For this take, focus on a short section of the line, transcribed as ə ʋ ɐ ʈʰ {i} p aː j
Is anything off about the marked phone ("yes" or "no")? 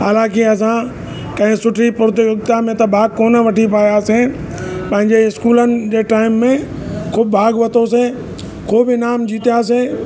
no